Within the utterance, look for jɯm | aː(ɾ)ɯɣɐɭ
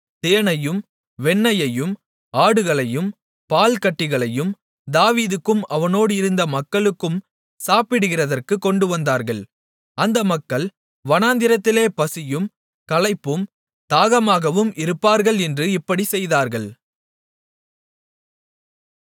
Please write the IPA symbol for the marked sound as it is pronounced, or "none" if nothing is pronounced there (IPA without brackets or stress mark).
ɽ